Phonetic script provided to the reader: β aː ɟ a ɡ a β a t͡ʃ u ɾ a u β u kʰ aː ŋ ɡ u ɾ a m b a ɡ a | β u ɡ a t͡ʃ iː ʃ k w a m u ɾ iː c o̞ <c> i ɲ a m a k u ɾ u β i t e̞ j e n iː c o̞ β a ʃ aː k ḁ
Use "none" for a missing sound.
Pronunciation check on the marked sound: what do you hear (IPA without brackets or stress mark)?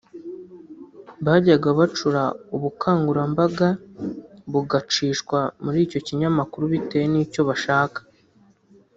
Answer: c